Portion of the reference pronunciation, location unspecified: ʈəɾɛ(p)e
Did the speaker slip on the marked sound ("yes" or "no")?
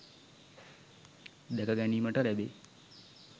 yes